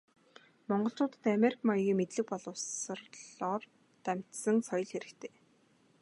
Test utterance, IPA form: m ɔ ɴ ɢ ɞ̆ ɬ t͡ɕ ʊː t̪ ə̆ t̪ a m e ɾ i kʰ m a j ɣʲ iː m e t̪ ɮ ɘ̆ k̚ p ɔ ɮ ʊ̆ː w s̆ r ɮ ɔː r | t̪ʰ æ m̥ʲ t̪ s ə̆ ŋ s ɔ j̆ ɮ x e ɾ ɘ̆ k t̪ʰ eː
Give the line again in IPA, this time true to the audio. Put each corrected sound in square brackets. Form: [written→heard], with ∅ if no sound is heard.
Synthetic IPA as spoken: m ɔ ɴ ɢ ɞ̆ ɬ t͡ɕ ʊː t̪ ə̆ t̪ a m e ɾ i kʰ m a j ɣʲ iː m e t̪ ɮ ɘ̆ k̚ p ɔ ɮ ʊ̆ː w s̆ r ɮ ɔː r | [t̪ʰ→t̪] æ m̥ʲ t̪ s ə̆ ŋ s ɔ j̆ ɮ x e ɾ ɘ̆ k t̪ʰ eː